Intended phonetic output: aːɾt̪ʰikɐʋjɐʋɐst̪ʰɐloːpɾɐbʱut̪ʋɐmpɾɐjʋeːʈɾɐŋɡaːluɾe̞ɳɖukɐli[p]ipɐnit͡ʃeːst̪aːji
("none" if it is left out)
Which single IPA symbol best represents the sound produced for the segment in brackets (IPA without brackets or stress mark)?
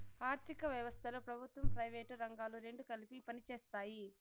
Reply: p